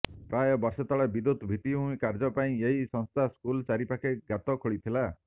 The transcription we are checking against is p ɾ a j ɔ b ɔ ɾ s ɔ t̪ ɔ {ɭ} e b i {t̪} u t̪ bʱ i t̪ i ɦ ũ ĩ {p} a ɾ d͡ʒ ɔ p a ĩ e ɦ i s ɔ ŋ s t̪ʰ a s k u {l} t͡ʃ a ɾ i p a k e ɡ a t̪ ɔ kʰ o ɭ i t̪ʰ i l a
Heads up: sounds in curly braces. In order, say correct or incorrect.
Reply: correct, incorrect: d̪, incorrect: k, correct

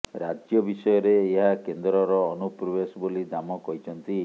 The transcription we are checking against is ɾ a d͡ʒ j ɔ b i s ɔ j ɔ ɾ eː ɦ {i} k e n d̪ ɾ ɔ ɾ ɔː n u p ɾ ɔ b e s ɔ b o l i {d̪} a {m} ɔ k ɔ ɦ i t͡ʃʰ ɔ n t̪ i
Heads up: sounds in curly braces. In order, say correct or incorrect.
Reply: incorrect: a, correct, correct

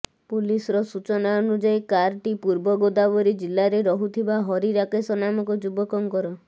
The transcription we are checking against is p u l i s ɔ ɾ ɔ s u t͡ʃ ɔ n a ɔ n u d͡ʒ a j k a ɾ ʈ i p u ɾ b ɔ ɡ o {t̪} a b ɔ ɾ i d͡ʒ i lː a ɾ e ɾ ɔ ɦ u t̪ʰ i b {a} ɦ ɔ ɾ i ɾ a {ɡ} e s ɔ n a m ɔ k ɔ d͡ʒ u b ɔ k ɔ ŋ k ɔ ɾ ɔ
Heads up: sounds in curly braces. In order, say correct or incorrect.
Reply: incorrect: d̪, correct, incorrect: k

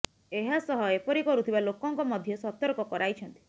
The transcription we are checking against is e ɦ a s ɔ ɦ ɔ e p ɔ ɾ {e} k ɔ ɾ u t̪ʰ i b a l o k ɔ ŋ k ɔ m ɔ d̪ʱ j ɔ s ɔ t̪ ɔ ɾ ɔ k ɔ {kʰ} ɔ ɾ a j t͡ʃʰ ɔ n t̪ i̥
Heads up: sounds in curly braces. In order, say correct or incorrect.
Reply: incorrect: i, incorrect: k

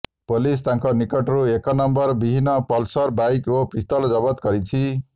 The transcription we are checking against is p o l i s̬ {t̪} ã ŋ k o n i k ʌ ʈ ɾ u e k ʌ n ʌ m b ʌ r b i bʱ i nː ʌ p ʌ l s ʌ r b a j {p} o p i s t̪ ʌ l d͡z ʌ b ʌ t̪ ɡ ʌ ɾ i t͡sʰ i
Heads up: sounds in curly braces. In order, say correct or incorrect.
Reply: correct, incorrect: k

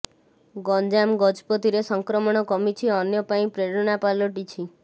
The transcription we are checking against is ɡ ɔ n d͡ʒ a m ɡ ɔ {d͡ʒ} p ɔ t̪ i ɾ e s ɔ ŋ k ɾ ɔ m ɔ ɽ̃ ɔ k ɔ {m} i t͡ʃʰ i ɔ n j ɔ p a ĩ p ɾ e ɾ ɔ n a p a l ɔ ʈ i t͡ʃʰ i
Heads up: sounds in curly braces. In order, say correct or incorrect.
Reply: correct, correct

